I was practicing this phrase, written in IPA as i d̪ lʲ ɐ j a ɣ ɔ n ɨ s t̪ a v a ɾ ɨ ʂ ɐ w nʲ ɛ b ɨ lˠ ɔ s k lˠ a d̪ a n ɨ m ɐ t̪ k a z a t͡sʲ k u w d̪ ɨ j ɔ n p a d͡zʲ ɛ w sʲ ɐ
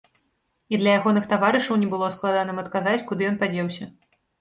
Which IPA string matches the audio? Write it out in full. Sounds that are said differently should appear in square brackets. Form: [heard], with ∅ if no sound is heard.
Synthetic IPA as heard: i d̪ lʲ ɐ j a ɣ ɔ n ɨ [x] t̪ a v a ɾ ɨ ʂ ɐ w nʲ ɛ b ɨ lˠ ɔ s k lˠ a d̪ a n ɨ m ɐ t̪ k a z a t͡sʲ k u [∅] d̪ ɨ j ɔ n p a d͡zʲ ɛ w sʲ ɐ